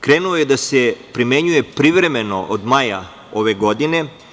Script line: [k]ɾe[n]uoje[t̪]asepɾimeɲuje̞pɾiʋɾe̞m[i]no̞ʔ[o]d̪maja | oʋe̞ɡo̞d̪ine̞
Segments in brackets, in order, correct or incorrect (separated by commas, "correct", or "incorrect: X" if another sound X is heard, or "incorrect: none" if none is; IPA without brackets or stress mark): correct, correct, incorrect: d̪, incorrect: e, correct